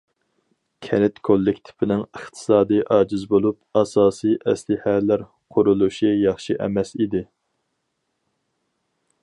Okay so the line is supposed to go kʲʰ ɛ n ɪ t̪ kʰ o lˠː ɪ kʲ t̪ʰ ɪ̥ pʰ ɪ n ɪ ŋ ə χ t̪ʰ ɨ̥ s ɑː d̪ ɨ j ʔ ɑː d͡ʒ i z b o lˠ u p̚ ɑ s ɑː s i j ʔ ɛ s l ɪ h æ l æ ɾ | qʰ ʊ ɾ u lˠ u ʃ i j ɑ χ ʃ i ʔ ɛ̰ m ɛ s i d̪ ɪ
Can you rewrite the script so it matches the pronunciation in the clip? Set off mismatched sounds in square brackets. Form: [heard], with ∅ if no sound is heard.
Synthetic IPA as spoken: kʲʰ ɛ n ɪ t̪ kʰ o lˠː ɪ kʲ t̪ʰ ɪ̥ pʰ ɪ n ɪ ŋ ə χ t̪ʰ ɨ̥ s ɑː d̪ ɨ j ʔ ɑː d͡ʒ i z b o lˠ u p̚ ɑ s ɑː s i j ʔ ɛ s l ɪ h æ l æ ɾ | qʰ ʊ ɾ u lˠ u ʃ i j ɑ χ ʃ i ʔ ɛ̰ m ɛ s i d̪ ɪ